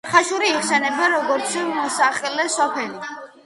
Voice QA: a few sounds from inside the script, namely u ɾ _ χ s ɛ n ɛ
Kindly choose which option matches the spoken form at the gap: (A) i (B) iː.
B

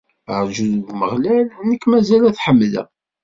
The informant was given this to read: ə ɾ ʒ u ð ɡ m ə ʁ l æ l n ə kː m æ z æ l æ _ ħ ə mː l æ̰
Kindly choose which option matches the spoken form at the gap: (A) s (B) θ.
B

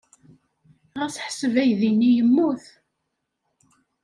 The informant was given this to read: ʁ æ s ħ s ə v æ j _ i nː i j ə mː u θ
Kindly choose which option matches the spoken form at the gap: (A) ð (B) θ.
A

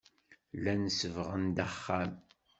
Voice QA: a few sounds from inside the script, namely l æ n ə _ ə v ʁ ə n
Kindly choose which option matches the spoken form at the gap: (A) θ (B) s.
B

